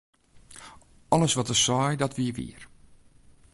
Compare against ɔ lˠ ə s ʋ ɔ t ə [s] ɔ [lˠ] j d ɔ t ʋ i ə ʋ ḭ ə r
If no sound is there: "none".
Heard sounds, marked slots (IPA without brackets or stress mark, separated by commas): s, none